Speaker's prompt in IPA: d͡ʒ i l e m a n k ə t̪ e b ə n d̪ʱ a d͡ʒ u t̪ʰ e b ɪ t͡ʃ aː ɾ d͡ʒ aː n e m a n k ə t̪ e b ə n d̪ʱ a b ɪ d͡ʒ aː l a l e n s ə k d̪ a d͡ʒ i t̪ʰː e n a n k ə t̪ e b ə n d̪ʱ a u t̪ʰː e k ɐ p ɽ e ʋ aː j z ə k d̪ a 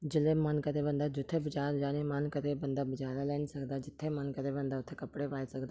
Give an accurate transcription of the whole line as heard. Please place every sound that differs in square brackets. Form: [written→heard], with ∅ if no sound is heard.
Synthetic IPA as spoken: d͡ʒ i l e m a n k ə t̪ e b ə n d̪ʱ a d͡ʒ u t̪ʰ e b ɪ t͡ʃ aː ɾ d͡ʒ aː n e m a n k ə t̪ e b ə n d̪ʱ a b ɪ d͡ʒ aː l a l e n s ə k d̪ a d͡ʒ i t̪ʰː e [n→m] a n k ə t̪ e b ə n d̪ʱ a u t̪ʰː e k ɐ p ɽ e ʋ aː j [z→s] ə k d̪ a